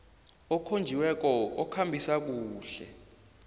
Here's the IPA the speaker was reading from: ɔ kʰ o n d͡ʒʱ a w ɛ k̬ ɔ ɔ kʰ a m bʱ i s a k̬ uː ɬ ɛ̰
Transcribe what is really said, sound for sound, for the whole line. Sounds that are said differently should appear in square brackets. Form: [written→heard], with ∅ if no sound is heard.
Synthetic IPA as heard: ɔ kʰ o n d͡ʒʱ [a→i] w ɛ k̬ ɔ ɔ kʰ a m bʱ i s a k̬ uː ɬ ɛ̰